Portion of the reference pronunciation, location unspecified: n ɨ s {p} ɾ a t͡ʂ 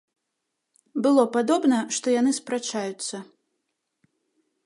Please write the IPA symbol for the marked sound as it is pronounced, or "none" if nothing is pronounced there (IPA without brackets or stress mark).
p